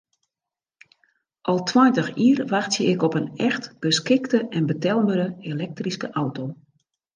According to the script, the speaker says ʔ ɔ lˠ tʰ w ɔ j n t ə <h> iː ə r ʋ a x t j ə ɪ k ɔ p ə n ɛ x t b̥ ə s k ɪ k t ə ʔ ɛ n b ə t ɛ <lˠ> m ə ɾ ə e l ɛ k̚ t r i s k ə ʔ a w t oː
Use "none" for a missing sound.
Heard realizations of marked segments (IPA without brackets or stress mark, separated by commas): x, lˠ